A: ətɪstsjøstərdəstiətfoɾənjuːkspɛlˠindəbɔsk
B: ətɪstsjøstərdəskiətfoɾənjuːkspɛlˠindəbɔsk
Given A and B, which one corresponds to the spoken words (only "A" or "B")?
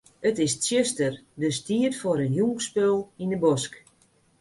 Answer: A